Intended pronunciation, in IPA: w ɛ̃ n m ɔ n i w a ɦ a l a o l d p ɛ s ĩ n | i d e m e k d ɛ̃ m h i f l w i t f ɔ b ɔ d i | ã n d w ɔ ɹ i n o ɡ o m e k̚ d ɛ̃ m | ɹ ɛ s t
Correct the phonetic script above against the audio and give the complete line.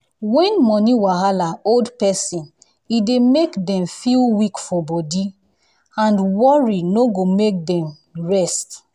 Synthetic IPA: w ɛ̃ n m ɔ n i w a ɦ a l a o l d p ɛ s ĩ n | i d e m e k d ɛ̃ m f i l w i k f ɔ b ɔ d i | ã n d w ɔ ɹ i n o ɡ o m e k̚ d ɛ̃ m | ɹ ɛ s t